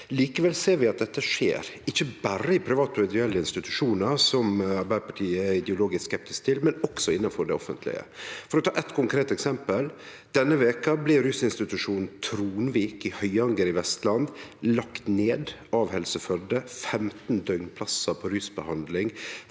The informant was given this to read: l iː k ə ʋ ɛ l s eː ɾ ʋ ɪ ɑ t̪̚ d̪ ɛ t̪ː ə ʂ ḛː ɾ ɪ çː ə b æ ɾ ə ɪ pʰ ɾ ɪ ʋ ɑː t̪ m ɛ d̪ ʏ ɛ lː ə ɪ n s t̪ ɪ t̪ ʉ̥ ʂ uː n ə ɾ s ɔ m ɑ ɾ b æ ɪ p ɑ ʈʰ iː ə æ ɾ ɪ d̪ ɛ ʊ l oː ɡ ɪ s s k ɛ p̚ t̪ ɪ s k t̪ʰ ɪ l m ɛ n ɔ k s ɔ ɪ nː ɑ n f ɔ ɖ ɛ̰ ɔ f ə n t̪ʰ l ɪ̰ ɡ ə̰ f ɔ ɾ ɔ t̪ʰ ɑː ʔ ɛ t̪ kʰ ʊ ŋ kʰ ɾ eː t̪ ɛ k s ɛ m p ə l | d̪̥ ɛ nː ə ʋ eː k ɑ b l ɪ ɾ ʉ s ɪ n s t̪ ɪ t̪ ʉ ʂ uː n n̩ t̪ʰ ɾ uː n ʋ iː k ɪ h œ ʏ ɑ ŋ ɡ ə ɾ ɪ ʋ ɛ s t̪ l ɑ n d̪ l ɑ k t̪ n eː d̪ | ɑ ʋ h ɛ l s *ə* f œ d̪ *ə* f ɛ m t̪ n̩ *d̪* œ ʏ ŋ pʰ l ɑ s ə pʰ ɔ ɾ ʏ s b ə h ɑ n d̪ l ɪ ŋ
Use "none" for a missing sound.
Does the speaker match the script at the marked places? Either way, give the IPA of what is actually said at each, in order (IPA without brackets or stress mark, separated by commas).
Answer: ə, ə, d̪